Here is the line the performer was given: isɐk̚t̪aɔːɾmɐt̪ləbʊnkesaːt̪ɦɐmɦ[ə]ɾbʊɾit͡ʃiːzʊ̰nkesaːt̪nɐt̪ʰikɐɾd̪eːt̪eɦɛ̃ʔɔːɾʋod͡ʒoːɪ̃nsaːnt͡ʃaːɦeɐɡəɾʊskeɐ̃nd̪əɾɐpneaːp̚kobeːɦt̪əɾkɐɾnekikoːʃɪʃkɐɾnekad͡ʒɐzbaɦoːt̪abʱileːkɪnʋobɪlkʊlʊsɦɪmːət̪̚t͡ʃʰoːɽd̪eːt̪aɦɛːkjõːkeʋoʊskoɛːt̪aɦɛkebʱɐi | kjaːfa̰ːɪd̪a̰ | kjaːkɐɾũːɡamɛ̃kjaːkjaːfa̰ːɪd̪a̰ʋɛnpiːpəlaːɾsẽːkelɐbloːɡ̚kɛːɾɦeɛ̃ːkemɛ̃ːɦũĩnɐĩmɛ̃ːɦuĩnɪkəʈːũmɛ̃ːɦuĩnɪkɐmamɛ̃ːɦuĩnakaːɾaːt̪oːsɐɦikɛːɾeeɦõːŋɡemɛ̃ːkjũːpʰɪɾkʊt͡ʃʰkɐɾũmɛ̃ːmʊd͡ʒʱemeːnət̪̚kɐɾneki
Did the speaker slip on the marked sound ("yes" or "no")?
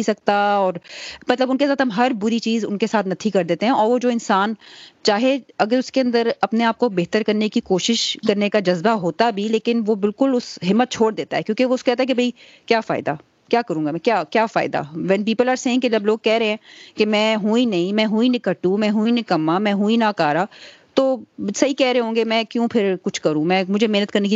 yes